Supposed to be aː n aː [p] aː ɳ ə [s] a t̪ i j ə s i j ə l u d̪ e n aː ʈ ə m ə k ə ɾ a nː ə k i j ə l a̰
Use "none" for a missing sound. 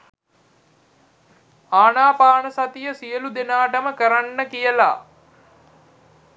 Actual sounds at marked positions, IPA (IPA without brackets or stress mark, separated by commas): p, s